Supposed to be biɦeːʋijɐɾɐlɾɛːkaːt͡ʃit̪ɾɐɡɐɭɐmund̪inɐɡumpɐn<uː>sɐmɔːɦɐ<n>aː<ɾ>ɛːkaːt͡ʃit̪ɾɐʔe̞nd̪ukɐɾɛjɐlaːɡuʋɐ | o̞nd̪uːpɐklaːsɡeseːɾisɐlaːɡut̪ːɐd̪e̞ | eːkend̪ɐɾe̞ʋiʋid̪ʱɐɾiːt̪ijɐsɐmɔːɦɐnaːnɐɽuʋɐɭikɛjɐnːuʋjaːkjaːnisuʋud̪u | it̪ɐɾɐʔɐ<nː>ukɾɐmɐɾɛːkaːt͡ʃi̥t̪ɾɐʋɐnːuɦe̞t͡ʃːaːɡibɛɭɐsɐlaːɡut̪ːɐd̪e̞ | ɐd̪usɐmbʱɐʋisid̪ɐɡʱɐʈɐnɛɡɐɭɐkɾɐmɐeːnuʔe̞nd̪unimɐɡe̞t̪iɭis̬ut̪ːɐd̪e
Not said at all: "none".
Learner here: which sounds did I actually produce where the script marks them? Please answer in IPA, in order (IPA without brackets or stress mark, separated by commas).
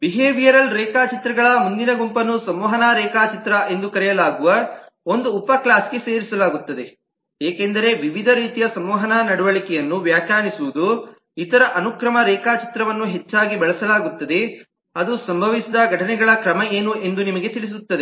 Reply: u, n, ɾ, n